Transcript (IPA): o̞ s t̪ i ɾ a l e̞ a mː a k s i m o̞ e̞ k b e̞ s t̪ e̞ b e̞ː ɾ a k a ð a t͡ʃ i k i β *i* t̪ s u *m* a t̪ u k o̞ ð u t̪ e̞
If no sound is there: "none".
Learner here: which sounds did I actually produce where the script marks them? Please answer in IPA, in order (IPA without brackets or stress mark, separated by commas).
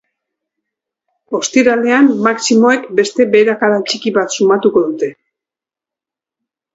a, m